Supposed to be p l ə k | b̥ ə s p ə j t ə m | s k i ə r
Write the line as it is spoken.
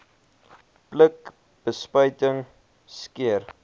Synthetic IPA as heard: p l ə k | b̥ ə s p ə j t ə ŋ | s k i ə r